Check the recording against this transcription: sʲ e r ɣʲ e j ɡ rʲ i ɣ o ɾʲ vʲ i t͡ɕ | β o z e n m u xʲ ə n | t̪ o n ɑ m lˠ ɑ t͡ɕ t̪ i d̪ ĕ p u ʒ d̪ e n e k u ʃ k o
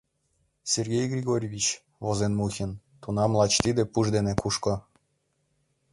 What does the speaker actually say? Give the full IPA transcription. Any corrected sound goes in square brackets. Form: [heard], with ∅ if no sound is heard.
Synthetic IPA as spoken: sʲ e r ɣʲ e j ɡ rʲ i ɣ o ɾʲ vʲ i t͡ɕ | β o z e n m u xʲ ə n | t̪ [u] n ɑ m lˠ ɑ t͡ɕ t̪ i d̪ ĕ p u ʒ d̪ e n e k u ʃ k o